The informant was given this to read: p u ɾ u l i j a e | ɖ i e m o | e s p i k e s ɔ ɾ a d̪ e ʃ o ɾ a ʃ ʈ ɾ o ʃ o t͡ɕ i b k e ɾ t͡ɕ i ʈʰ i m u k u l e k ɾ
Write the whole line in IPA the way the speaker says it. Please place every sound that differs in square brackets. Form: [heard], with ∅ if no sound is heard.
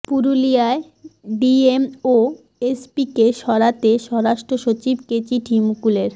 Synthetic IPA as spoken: p u ɾ u l i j a e | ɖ i e m o | e s p i k e [ʃ] ɔ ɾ a [t̪] e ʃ [ɔ] ɾ a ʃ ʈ ɾ o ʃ o t͡ɕ i b k e [∅] t͡ɕ i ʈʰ i m u k u l e [∅] ɾ